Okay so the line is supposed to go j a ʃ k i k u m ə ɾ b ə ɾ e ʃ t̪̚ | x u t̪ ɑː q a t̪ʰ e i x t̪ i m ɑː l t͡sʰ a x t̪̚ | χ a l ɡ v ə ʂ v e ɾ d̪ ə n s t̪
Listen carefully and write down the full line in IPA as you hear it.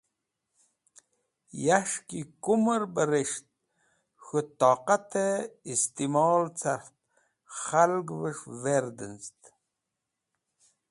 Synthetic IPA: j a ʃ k i k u m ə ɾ b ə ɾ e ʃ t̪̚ | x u t̪ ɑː q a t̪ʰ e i s t̪ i m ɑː l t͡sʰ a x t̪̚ | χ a l ɡ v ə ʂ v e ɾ d̪ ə n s t̪

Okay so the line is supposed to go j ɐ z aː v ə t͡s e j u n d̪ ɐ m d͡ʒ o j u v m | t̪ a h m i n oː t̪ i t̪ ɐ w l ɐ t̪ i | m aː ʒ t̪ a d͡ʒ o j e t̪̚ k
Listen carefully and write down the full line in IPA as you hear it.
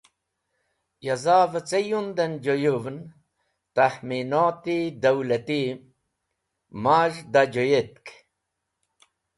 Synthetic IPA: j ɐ z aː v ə t͡s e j u n d̪ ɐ n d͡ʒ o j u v n | t̪ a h m i n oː t̪ i d̪ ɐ w l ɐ t̪ i | m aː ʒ d̪ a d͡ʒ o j e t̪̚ k

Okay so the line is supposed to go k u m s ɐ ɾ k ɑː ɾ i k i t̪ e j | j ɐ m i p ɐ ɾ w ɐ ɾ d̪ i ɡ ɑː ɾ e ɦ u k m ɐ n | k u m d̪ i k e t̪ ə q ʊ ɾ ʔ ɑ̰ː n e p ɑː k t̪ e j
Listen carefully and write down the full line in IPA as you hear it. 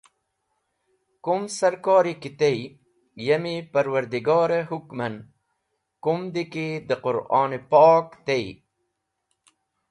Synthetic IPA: k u m s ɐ ɾ k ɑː ɾ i k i t̪ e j | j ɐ m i p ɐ ɾ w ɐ ɾ d̪ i ɡ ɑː ɾ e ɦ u k m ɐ n | k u m d̪ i k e d̪ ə q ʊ ɾ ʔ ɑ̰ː n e p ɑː k t̪ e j

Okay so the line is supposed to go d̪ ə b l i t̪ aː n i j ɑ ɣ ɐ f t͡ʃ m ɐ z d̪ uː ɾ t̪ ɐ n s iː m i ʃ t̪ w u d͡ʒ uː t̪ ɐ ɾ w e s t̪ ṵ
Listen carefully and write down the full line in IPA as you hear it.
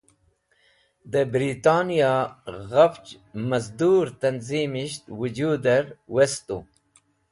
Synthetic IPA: d̪ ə b ɾ i t̪ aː n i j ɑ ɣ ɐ f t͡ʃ m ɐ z d̪ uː ɾ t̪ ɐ n z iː m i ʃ t̪ w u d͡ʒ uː d̪ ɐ ɾ w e s t̪ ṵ

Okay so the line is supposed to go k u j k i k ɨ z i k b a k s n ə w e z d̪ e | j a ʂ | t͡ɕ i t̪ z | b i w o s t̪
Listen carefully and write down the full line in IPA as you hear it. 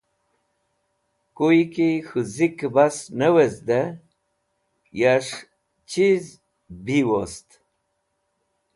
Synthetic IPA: k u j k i x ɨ z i k b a s n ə w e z d̪ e | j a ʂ | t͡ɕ i z | b i w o s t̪

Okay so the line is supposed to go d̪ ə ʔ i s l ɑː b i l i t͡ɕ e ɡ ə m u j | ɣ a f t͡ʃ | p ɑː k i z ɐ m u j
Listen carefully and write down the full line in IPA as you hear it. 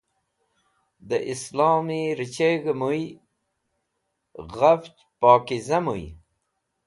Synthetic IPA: d̪ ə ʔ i s l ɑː m i ɾ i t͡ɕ e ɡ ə m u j | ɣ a f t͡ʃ | p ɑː k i z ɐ m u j

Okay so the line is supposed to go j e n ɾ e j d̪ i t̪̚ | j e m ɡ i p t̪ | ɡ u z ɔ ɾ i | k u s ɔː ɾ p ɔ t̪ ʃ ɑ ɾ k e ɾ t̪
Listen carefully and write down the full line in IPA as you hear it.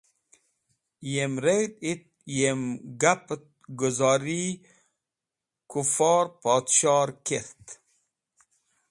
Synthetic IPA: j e m ɾ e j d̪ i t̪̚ | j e m ɡ a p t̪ | ɡ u z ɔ ɾ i | k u f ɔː ɾ p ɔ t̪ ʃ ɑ ɾ k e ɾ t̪

